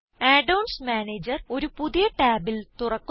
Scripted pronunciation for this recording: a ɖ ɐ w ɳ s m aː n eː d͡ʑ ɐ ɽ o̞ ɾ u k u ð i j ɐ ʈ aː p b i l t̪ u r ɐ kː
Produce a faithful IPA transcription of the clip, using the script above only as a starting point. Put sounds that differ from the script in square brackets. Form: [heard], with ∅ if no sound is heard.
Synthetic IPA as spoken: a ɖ ɐ w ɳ s m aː n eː d͡ʑ ɐ [r] o̞ ɾ u [p] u ð i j ɐ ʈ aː [∅] b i l t̪ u r ɐ kː

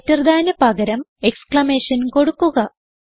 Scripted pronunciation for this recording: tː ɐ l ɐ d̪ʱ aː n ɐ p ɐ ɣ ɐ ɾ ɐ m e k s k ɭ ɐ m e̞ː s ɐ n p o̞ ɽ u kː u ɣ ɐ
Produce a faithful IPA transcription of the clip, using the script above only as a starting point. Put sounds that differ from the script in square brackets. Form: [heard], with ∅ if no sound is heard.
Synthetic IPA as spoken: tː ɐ [r] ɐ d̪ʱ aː n ɐ p ɐ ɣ ɐ ɾ ɐ m e k s k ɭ ɐ m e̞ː [ʂ] ɐ n [k] o̞ ɽ u kː u ɣ ɐ

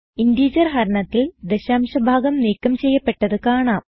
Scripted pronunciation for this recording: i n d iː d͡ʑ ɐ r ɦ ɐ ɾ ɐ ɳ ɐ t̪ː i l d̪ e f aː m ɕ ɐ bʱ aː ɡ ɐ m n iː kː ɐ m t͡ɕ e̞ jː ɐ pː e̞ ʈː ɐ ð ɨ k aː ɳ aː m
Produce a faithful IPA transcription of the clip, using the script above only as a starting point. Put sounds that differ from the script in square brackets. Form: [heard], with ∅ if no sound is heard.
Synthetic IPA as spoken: i n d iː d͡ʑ ɐ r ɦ ɐ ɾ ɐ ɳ ɐ t̪ː i l d̪ e [ɕ] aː m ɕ ɐ bʱ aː ɡ ɐ m n iː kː ɐ m t͡ɕ e̞ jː ɐ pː e̞ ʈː ɐ ð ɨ k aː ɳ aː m

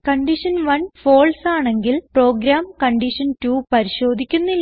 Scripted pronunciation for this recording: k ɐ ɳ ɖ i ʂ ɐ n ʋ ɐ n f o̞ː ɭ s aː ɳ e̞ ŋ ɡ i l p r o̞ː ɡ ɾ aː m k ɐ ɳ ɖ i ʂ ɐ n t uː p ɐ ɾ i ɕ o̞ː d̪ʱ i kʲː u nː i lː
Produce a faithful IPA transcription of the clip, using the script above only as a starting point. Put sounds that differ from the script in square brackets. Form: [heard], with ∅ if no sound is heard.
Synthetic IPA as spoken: k ɐ ɳ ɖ i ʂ ɐ n ʋ ɐ n f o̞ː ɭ s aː ɳ e̞ ŋ ɡ i l p r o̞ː ɡ ɾ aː m k ɐ ɳ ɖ i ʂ ɐ n t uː p ɐ ɾ i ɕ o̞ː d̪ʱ i kʲː u nː i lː

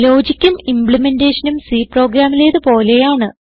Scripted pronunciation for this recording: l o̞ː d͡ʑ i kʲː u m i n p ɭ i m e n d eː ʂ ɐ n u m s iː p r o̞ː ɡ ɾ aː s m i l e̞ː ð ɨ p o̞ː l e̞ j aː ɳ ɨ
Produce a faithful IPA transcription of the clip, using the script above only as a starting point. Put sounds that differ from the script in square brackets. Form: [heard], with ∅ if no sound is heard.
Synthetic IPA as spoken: l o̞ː d͡ʑ i kʲː u m i [m] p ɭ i m e n d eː ʂ ɐ n u m s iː p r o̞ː ɡ ɾ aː [∅] m i l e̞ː ð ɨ p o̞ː l e̞ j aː ɳ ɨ

